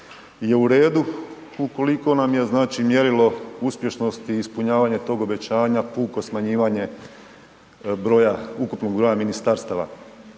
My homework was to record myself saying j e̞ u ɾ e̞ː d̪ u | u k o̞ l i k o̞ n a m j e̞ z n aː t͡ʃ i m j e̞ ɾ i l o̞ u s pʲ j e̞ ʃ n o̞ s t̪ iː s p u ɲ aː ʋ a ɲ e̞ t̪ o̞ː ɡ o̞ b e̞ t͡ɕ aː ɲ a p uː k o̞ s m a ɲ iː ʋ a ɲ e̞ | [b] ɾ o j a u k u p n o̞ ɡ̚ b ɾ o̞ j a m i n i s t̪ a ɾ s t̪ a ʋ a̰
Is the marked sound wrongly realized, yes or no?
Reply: no